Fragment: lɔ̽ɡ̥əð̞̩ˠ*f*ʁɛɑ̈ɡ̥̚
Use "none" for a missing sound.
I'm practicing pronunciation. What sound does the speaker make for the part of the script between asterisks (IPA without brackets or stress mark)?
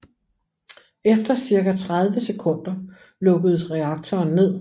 s